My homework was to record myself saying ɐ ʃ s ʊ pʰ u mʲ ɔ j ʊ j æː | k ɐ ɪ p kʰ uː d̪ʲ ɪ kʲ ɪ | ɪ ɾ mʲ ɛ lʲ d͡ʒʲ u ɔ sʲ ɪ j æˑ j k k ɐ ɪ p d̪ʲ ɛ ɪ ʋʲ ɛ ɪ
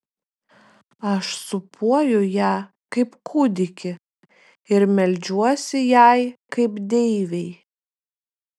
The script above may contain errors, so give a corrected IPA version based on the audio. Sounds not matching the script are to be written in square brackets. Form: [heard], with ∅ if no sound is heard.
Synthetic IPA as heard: ɐ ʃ s ʊ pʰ u [∅] ɔ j ʊ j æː | k ɐ ɪ p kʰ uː d̪ʲ ɪ kʲ ɪ | ɪ ɾ mʲ ɛ lʲ d͡ʒʲ u ɔ sʲ ɪ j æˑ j k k ɐ ɪ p d̪ʲ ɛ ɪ ʋʲ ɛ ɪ